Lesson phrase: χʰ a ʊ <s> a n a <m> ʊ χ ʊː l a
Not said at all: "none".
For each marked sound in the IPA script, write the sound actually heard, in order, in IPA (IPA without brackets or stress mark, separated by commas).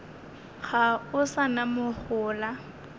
s, m